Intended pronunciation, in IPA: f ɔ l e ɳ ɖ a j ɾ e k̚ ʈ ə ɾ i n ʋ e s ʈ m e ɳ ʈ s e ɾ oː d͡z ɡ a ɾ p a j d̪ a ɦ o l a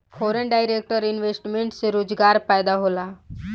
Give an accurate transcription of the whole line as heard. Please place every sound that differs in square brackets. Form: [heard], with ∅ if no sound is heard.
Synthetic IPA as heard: f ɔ [ɾ] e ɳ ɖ a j ɾ e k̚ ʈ ə ɾ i n ʋ e s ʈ m e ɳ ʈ s e ɾ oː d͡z ɡ a ɾ p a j d̪ a ɦ o l a